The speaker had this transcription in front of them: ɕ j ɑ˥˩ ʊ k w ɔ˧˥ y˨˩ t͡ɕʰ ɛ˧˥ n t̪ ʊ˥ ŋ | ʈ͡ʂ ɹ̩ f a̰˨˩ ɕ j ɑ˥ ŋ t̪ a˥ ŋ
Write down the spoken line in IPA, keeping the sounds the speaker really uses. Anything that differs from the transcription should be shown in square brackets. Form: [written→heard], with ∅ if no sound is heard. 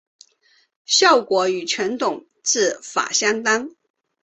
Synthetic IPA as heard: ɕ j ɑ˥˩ ʊ k w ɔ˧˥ y˨˩ t͡ɕʰ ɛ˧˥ n t̪ [ʊ˥→ʊ˨˩] ŋ | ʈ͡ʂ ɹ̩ f a̰˨˩ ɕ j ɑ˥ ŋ t̪ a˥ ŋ